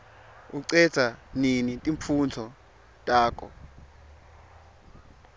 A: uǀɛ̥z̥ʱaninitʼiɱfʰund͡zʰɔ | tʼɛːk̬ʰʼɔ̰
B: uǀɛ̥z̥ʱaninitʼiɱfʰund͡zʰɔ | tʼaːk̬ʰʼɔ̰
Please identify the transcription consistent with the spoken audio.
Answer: B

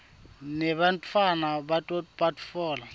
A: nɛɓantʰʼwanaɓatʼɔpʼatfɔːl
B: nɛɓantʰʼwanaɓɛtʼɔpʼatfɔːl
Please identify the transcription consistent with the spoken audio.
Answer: A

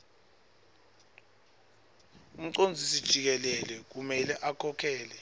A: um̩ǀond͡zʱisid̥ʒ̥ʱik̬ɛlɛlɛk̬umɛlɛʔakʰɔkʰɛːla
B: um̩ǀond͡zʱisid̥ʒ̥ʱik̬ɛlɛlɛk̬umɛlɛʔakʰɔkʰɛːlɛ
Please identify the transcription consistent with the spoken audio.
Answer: B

